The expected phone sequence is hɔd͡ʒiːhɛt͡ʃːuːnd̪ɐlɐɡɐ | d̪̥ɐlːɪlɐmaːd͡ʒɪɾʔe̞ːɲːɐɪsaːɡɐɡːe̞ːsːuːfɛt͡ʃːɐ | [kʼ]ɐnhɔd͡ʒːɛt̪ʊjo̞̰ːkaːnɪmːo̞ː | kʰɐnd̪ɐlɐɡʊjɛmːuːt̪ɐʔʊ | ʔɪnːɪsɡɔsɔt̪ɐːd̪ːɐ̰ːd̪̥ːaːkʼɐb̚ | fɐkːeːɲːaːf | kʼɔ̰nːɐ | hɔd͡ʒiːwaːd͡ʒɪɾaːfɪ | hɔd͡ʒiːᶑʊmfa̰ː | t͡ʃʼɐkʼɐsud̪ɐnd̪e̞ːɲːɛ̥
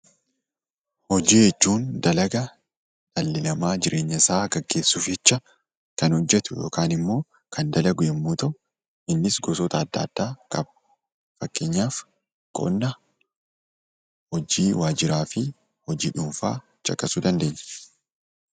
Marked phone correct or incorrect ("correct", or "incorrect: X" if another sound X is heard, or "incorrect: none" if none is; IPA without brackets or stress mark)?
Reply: incorrect: k